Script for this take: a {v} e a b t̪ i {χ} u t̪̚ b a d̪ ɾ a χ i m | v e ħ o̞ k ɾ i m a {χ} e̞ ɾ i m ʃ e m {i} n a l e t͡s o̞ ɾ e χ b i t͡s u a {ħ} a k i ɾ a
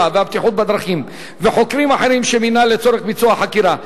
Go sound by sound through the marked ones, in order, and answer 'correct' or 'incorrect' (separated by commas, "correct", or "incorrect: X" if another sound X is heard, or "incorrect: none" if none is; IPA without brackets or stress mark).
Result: correct, incorrect: ħ, incorrect: ħ, correct, correct